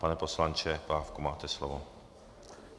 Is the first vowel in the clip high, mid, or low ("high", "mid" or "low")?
low